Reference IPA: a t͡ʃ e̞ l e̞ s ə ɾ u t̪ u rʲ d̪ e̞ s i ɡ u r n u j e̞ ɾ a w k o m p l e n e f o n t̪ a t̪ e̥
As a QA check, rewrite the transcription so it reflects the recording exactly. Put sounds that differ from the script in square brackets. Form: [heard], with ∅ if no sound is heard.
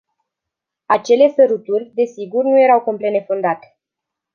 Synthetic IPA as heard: a t͡ʃ e̞ l e̞ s ə ɾ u t̪ u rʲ d̪ e̞ s i ɡ u r n u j e̞ ɾ a w k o m p l e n e f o n [d̪] a t̪ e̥